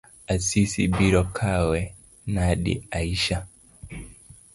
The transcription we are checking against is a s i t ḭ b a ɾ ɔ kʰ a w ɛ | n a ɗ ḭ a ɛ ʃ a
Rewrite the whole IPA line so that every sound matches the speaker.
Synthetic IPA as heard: a s i s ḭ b i ɾ ɔ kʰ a w ɛ | n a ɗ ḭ a i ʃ a